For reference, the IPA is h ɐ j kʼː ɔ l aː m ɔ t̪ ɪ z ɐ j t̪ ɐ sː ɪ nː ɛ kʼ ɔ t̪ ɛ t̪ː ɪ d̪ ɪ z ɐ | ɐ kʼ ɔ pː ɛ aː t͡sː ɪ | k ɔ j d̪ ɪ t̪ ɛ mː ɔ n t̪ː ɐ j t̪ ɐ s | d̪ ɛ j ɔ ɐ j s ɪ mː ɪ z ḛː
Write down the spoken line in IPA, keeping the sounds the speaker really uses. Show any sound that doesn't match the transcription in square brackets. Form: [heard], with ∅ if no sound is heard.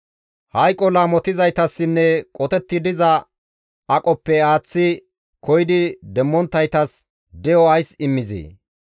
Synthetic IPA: h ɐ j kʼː ɔ l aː m ɔ t̪ ɪ z ɐ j t̪ ɐ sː ɪ nː ɛ kʼ ɔ t̪ ɛ t̪ː ɪ d̪ ɪ z ɐ | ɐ kʼ ɔ pː ɛ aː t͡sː ɪ | k ɔ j d̪ ɪ [d̪] ɛ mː ɔ n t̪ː ɐ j t̪ ɐ s | d̪ ɛ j ɔ ɐ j s ɪ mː ɪ z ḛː